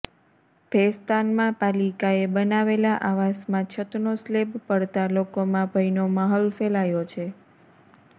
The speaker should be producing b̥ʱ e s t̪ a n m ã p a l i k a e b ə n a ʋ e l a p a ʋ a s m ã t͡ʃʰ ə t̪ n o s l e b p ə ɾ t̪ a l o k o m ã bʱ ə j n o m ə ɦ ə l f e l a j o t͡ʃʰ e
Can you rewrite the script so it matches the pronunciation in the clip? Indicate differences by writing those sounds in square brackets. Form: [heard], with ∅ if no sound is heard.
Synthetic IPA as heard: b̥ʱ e s t̪ a n m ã p a l i k a e b ə n a ʋ e l a [ʔ] a ʋ a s m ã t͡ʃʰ ə t̪ n o s l e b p ə [ɽ] t̪ a l o k o m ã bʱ ə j n o m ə ɦ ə l f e l a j o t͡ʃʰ e